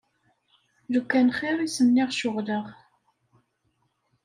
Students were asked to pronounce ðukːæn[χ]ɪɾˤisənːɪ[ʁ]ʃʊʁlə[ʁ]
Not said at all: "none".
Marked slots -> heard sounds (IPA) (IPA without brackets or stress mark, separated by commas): χ, ʁ, ʁ